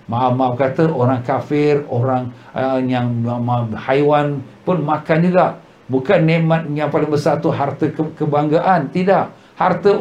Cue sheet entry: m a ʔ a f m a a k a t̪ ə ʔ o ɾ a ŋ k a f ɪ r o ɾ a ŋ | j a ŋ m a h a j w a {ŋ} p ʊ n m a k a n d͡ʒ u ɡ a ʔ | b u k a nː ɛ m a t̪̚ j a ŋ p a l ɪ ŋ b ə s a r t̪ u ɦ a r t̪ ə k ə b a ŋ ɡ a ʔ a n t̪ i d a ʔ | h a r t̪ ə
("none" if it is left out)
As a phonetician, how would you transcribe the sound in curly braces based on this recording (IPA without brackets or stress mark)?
n